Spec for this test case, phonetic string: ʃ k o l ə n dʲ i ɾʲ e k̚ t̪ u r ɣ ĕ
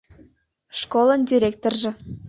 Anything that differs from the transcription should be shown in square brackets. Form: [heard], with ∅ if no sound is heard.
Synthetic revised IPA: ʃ k o l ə n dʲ i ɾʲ e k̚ t̪ [o] r [ʒ] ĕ